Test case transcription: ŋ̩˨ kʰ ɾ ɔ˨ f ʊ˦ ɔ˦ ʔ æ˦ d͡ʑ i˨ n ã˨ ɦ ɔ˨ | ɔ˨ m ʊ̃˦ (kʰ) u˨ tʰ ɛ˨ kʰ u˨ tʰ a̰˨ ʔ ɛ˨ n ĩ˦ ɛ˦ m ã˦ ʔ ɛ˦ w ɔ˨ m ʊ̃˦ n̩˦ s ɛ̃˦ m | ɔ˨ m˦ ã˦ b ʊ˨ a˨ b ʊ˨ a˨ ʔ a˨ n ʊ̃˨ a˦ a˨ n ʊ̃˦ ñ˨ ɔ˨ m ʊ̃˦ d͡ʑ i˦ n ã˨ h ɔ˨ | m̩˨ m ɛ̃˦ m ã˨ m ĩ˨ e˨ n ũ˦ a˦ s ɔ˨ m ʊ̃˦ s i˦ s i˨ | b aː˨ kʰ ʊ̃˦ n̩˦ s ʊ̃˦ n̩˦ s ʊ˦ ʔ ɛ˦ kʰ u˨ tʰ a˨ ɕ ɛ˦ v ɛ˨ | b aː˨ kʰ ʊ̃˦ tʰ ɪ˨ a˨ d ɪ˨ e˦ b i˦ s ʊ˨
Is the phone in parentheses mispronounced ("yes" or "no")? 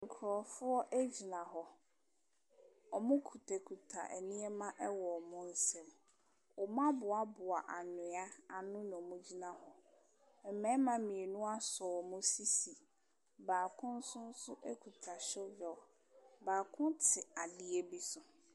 no